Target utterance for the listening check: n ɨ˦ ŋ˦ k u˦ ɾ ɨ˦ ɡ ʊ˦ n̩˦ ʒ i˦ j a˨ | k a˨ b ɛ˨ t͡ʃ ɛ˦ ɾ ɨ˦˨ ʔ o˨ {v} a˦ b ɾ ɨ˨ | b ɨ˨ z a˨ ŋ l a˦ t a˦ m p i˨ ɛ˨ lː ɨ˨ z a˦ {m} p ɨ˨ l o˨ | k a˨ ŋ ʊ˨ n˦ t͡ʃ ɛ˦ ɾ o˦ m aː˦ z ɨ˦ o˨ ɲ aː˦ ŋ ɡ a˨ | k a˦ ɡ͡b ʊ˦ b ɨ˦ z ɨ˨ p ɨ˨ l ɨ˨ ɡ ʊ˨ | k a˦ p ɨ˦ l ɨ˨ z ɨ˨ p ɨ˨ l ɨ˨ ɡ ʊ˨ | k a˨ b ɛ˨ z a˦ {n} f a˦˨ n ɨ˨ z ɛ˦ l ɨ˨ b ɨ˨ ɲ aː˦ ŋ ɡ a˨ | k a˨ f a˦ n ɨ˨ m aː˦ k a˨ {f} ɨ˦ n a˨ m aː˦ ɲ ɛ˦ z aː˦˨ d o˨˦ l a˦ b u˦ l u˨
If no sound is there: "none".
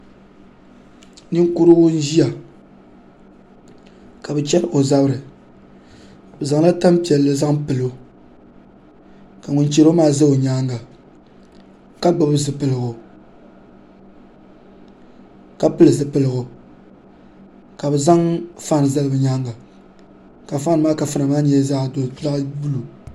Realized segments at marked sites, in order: z, ŋ, ŋ, f

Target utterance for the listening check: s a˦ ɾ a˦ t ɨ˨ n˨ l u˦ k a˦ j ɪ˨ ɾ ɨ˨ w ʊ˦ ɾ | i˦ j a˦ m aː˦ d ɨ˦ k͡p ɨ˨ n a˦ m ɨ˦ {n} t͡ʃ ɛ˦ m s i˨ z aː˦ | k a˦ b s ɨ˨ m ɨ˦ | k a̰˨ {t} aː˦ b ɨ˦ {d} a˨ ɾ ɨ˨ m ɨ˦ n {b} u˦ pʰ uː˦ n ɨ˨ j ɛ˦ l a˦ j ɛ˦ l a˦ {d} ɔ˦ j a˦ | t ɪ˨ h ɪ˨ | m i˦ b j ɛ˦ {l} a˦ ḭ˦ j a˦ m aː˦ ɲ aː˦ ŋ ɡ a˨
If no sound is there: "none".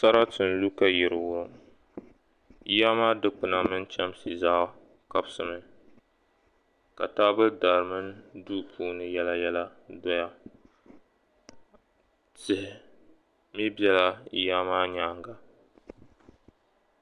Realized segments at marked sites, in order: n, t, d, d, d, l

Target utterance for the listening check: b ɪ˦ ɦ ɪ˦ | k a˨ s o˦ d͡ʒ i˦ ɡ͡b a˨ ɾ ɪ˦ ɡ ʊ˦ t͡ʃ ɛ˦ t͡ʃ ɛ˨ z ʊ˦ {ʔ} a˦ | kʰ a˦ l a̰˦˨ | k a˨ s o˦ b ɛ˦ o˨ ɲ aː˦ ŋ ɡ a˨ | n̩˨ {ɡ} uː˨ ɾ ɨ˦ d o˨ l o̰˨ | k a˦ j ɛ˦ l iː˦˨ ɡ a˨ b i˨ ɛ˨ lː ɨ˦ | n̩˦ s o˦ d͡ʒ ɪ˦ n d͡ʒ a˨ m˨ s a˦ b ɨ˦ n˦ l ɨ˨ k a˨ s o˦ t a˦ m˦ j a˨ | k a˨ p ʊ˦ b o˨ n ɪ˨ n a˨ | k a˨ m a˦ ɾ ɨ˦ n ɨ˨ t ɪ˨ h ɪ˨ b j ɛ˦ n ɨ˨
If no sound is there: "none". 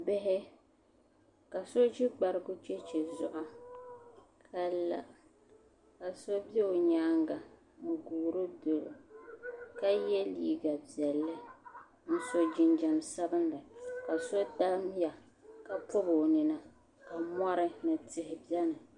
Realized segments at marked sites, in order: ʔ, ɡ

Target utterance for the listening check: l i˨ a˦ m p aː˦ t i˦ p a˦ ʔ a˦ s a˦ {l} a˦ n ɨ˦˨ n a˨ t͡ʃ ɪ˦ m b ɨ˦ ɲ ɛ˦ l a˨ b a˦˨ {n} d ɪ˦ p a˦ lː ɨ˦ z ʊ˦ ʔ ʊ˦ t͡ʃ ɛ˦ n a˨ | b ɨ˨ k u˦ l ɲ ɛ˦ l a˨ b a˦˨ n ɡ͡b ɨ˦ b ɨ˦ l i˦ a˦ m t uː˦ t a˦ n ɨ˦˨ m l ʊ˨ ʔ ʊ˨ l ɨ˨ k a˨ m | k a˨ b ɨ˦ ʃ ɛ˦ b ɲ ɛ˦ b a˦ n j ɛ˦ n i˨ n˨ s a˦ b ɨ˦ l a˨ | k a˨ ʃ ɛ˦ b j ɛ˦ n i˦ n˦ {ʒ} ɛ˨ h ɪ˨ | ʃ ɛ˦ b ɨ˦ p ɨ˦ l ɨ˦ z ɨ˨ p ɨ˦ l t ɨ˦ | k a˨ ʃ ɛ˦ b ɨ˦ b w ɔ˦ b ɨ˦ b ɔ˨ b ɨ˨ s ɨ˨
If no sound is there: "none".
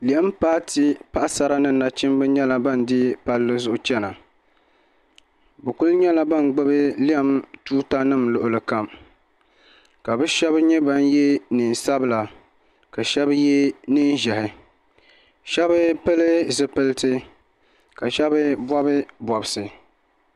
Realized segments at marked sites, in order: ɾ, n, ʒ

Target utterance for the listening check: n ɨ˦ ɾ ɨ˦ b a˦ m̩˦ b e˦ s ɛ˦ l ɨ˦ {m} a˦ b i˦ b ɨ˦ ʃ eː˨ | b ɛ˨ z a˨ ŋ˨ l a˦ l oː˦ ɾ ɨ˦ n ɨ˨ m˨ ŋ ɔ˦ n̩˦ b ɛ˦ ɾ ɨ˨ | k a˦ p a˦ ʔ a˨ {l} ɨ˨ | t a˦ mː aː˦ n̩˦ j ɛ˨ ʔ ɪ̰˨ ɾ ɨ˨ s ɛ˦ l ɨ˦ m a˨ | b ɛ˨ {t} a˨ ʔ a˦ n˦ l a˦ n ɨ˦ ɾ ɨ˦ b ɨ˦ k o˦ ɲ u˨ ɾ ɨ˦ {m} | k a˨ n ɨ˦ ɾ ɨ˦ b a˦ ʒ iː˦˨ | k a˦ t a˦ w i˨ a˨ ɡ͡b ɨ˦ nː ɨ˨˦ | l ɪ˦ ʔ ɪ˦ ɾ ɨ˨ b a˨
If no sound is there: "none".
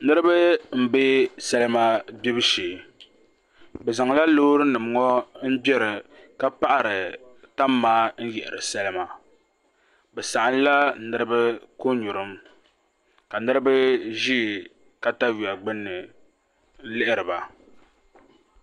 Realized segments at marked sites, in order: m, ɾ, s, m

